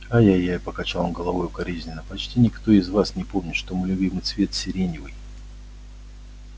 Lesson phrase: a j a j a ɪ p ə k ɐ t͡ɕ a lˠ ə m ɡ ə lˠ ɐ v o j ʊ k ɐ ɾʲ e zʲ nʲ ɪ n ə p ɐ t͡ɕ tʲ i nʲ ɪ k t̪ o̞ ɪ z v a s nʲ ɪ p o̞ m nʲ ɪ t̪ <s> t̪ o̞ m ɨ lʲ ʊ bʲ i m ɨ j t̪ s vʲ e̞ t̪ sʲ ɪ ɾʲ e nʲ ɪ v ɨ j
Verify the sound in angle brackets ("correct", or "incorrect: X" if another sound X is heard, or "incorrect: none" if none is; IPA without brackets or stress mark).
incorrect: ʂ